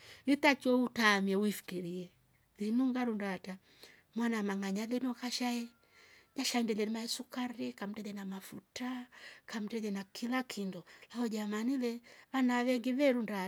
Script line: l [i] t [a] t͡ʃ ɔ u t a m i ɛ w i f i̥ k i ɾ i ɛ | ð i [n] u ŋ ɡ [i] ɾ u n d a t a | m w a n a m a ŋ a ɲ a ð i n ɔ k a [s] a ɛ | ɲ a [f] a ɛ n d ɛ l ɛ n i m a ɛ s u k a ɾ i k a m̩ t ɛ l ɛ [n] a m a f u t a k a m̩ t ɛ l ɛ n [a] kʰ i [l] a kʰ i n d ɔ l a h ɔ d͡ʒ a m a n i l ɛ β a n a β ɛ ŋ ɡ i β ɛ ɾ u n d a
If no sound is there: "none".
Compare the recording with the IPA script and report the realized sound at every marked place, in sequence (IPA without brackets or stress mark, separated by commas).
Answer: i, a, n, a, ʃ, ʃ, n, a, l